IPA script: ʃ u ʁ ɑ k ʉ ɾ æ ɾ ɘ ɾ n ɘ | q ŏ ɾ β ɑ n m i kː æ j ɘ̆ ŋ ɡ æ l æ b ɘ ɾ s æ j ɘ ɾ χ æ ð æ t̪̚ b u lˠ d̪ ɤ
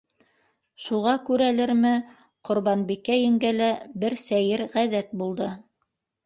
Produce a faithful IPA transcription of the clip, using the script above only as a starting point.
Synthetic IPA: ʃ u ʁ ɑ k ʉ ɾ æ l ɘ ɾ m ɘ | q ŏ ɾ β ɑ n b i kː æ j ɘ̆ ŋ ɡ æ l æ b ɘ ɾ s æ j ɘ ɾ ʁ æ ð æ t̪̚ b u lˠ d̪ ɤ